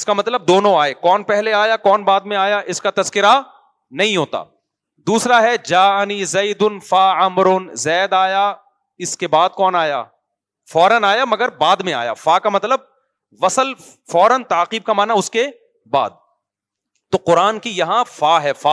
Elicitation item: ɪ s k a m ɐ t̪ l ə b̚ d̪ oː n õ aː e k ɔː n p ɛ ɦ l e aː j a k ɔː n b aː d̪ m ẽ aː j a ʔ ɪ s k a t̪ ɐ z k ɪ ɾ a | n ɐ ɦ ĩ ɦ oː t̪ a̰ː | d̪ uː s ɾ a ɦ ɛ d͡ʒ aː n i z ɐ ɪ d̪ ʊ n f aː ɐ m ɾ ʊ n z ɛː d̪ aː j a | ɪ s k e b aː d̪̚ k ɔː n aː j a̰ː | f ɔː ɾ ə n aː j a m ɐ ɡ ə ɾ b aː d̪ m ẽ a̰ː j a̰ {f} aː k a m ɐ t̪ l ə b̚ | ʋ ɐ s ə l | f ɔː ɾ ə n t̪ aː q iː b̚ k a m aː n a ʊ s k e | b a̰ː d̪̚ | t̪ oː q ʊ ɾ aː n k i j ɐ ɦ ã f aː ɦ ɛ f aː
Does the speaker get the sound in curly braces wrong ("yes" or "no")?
no